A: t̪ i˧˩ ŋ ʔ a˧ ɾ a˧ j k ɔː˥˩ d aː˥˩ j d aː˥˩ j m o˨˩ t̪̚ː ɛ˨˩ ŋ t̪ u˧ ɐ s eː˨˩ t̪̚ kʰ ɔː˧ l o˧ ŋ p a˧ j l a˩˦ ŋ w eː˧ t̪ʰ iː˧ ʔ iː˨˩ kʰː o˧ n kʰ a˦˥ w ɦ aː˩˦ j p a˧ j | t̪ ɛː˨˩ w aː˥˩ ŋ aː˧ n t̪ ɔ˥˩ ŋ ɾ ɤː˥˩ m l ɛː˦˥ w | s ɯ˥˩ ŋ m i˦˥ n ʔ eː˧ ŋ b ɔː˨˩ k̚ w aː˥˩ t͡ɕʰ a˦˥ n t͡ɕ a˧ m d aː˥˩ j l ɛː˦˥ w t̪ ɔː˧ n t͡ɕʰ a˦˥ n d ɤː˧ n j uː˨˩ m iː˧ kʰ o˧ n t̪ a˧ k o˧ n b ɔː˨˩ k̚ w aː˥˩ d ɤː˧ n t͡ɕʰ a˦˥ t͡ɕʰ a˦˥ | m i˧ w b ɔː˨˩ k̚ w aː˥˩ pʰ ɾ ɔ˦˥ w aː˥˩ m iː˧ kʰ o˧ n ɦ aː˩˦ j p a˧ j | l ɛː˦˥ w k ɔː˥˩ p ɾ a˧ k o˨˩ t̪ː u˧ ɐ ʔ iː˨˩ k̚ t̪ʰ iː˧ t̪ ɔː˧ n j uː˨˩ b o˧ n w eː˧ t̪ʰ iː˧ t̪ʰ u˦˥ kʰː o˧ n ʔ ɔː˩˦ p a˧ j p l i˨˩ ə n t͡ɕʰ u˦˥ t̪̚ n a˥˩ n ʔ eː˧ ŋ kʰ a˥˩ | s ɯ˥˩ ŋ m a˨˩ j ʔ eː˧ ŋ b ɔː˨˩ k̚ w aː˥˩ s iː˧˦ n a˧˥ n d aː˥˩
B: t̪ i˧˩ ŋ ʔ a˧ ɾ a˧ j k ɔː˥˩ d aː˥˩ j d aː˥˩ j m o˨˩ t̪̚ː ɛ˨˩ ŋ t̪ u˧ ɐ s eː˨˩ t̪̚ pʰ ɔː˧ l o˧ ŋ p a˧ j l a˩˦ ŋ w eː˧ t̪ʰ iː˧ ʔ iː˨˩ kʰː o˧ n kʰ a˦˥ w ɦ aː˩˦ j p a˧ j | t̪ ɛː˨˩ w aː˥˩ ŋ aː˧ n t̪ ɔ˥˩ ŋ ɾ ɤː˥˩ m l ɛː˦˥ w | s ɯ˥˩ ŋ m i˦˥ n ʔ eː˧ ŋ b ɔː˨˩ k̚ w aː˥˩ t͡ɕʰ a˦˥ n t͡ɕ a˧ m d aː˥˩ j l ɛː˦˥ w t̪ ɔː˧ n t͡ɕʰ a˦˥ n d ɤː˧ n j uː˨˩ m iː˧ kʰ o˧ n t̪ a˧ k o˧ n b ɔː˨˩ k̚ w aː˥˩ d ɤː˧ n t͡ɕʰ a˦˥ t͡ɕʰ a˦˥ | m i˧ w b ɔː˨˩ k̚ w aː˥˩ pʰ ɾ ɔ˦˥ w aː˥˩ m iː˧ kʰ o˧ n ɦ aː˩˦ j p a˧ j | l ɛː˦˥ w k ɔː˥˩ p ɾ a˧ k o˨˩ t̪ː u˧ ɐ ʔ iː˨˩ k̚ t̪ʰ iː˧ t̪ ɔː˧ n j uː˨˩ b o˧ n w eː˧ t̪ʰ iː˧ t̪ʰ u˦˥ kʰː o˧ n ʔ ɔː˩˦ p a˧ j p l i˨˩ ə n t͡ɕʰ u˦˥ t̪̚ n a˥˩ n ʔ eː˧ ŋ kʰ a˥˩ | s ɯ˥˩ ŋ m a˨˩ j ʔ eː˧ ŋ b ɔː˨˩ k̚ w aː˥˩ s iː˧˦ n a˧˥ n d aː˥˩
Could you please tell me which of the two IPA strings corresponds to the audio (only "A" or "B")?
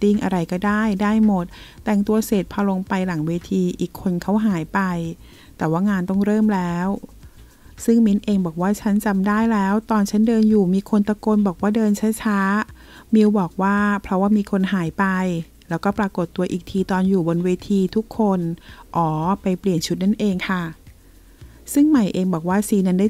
B